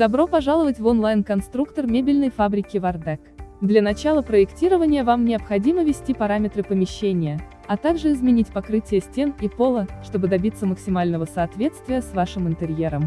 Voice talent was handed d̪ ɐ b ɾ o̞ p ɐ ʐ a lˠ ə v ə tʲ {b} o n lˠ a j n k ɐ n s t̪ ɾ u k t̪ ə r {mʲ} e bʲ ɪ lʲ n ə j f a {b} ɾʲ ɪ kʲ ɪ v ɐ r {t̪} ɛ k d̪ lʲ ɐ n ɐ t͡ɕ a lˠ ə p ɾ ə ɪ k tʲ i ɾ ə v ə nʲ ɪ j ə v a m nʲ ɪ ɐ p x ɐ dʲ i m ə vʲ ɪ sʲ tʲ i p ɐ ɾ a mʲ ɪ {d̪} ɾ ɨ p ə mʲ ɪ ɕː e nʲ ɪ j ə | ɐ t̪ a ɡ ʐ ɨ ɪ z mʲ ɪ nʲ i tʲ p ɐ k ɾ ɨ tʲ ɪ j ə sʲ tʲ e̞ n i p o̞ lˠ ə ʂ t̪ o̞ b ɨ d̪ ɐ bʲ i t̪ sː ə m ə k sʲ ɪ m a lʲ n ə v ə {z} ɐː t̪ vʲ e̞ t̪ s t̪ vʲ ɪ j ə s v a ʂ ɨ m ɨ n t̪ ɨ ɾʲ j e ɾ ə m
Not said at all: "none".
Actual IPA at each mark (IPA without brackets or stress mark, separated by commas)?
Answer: v, mʲ, b, d̪, t̪, s